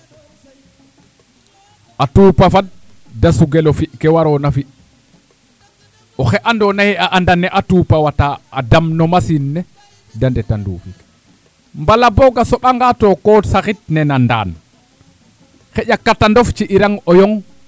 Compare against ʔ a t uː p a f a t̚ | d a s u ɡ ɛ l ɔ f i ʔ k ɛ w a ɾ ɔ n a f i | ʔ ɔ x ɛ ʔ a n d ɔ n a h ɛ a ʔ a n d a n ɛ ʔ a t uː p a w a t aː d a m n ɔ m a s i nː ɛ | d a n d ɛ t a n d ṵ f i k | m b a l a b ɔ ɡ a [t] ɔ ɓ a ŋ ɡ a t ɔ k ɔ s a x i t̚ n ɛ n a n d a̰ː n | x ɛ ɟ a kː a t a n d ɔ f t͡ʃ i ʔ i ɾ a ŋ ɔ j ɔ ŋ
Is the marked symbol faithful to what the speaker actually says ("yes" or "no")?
no